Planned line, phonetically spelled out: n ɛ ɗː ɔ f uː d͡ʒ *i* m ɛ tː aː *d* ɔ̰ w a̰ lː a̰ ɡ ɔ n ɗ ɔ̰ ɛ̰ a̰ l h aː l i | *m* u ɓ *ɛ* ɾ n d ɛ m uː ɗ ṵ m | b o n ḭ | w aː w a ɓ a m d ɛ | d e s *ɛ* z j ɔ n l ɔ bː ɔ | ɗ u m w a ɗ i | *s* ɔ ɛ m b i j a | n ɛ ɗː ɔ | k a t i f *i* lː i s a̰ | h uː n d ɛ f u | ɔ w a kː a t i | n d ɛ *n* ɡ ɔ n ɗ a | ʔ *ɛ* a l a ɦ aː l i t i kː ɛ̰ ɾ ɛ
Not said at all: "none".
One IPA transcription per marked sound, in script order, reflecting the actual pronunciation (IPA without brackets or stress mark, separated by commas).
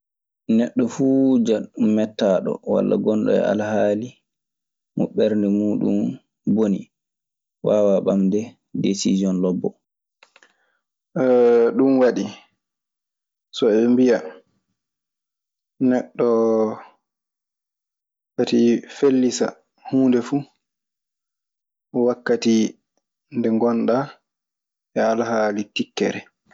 a, ɗ, m, ɛ, i, s, e, ŋ, ɛ